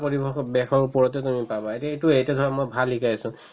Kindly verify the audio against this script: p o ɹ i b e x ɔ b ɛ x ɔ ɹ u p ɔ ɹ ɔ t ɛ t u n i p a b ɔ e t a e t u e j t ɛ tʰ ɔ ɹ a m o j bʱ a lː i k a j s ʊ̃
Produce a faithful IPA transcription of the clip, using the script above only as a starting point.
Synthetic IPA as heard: p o ɹ i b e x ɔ b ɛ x ɔ ɹ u p ɔ ɹ ɔ t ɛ t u m i p a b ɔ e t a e t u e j t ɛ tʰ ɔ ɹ a m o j bʱ a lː i k a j s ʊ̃

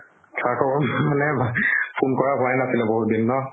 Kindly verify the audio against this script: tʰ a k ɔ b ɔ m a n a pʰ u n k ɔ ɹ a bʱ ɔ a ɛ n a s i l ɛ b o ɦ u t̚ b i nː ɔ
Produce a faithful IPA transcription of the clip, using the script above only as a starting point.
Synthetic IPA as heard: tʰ a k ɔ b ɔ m a n ɛ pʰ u n k ɔ ɹ a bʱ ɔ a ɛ n a s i l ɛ b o ɦ u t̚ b i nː ɔ

